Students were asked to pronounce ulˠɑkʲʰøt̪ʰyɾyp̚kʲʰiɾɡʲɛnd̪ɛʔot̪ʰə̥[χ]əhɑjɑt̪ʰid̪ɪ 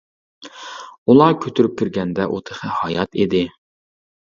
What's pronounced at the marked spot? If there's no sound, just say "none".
χ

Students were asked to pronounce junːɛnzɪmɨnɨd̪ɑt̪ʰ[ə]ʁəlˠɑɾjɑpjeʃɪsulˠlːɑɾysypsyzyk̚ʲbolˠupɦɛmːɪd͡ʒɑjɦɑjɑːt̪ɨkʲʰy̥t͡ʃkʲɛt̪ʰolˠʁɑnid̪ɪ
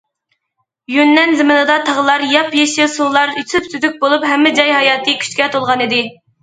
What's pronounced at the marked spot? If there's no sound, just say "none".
ɑ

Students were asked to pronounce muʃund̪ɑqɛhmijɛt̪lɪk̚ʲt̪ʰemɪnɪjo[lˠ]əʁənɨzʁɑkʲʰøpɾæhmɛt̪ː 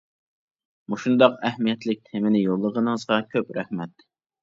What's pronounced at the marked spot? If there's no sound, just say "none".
lˠː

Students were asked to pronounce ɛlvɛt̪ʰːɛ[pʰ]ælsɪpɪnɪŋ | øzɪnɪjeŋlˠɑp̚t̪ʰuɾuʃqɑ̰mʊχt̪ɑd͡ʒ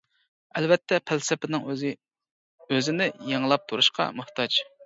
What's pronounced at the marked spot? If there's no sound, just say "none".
pʰ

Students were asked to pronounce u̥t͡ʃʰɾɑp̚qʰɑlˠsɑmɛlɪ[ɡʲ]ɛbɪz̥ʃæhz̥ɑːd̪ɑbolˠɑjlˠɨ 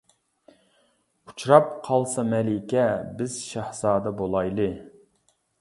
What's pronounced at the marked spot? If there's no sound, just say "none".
kʲ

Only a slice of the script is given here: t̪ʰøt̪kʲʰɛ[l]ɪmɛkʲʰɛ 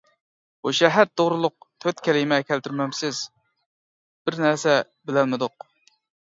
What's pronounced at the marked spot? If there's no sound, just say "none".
l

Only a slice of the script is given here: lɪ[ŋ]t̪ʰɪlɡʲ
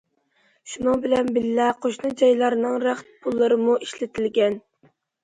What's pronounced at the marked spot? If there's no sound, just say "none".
none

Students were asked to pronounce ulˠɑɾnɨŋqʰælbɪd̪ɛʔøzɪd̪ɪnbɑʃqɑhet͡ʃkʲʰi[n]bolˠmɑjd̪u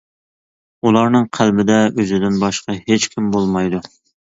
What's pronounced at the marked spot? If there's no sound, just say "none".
m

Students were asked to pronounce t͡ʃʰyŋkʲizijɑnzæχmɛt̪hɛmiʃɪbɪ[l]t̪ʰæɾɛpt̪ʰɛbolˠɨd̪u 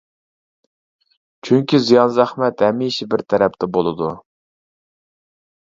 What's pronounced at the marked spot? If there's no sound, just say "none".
ɾ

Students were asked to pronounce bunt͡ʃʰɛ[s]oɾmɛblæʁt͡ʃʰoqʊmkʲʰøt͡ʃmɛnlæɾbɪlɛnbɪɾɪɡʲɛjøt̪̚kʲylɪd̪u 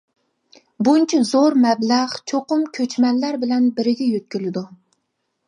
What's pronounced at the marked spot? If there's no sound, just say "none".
z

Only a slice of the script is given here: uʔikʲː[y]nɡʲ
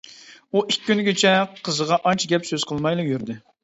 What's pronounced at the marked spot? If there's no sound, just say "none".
y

